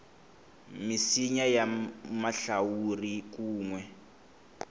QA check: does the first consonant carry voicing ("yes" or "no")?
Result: yes